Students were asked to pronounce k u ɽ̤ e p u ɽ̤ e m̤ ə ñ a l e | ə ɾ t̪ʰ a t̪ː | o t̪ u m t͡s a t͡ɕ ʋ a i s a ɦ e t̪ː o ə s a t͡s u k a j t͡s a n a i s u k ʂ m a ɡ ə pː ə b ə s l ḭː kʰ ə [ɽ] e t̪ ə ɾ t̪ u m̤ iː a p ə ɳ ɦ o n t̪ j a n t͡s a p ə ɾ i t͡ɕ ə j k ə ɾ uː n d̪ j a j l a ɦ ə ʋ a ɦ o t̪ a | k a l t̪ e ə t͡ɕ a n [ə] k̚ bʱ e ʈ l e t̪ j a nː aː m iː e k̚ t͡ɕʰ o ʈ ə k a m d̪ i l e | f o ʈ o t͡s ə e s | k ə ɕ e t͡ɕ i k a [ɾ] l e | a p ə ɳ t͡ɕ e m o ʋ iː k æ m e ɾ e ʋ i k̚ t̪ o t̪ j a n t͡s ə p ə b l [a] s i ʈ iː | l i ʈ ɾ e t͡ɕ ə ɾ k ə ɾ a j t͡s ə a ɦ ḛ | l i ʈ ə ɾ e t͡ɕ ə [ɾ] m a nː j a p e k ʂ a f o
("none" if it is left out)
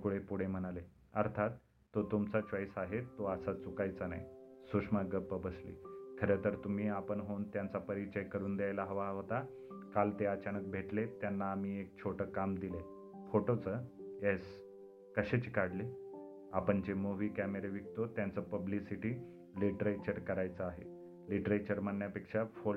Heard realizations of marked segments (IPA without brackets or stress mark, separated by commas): ɾ, ə, ɽ, i, ɾ